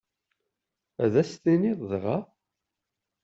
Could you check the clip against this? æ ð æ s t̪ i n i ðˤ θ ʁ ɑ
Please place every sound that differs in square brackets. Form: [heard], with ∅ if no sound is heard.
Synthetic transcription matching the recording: æ ð æ s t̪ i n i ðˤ [ð] ʁ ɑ